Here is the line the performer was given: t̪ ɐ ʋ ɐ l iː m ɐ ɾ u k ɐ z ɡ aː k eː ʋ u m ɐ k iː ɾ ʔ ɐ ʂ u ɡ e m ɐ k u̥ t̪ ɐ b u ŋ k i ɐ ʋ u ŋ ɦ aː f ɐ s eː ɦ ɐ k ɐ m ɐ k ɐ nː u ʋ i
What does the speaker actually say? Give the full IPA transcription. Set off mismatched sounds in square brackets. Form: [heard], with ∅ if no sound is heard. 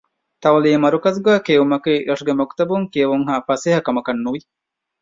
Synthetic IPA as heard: t̪ ɐ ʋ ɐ l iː m ɐ ɾ u k ɐ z ɡ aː k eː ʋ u m ɐ k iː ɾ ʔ ɐ ʂ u ɡ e m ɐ k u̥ t̪ ɐ b u ŋ k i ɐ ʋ u ŋ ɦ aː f ɐ s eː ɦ ɐ k ɐ m ɐ k ɐ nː u ʋ i